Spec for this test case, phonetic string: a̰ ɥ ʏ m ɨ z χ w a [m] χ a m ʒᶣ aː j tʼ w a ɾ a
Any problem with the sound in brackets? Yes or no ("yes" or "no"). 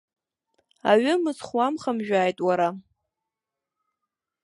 no